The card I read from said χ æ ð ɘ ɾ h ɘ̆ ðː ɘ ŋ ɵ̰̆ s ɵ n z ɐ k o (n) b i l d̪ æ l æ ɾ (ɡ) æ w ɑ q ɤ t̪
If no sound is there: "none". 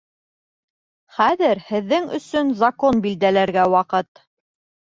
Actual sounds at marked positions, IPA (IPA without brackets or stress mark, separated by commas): n, ɡ